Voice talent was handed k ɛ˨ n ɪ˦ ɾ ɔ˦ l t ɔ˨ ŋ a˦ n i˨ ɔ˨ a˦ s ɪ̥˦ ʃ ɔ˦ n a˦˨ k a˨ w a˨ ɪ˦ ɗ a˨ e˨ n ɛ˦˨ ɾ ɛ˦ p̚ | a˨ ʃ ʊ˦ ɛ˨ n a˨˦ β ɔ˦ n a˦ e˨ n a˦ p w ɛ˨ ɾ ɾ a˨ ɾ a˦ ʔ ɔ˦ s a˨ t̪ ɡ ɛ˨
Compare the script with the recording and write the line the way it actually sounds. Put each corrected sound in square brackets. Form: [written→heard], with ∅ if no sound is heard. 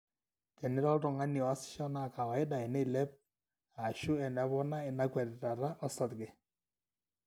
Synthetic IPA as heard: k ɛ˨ n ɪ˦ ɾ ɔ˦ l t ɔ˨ ŋ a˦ n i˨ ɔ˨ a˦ s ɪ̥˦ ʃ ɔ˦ n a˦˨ k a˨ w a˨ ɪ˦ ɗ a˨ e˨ n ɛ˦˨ [ɾ→l] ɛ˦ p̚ | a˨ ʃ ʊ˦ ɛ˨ n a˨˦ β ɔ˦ n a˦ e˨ n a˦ [p→k] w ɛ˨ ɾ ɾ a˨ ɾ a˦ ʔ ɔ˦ s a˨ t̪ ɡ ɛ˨